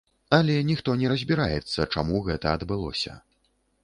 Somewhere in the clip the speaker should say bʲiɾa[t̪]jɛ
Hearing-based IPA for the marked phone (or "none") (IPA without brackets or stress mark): none